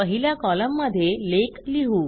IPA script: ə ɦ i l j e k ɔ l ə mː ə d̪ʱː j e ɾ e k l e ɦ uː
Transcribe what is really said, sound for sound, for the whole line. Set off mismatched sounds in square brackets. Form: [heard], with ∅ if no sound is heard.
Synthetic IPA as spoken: ə ɦ i l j [a] k ɔ l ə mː ə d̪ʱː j e [l] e k l [i] ɦ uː